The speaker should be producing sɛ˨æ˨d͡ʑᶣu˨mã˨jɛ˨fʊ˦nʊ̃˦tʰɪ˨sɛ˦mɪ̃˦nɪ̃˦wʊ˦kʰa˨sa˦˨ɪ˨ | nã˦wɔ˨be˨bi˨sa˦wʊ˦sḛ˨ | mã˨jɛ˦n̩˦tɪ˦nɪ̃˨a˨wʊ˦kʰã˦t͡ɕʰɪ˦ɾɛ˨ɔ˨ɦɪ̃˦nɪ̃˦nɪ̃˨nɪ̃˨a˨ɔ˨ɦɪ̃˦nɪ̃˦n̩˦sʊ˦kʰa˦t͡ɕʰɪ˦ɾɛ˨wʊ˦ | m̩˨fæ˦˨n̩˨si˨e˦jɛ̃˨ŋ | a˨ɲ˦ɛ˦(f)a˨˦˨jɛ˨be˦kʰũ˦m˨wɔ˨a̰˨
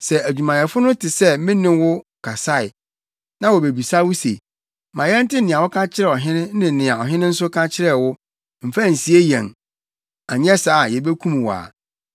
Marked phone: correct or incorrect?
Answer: incorrect